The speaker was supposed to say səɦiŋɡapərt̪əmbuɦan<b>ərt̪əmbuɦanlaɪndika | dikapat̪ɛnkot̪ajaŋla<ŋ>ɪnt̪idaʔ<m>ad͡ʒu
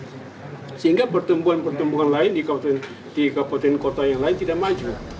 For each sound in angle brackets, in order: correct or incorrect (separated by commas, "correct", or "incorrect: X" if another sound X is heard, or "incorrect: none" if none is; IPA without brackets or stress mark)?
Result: incorrect: p, incorrect: none, correct